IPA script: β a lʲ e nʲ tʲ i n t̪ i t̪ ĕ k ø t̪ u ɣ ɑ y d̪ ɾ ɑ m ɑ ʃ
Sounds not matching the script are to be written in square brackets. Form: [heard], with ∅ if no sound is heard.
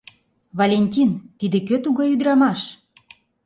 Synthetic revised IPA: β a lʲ e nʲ tʲ i n t̪ i [d̪] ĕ k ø t̪ u ɣ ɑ y d̪ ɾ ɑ m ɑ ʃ